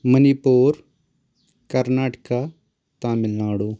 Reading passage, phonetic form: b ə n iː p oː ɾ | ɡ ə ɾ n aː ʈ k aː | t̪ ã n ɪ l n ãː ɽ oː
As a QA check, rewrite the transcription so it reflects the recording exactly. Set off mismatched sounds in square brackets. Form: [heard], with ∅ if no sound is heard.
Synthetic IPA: [m] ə n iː p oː ɾ | [k] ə ɾ n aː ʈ k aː | t̪ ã [m] ɪ l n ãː ɽ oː